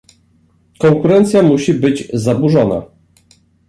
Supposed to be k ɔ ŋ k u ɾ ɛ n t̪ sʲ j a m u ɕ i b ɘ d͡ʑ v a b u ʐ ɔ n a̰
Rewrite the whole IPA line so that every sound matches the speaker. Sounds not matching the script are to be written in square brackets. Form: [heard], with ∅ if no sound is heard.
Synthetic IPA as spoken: k ɔ ŋ k u ɾ ɛ n t̪ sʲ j a m u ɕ i b ɘ d͡ʑ [z] a b u ʐ ɔ n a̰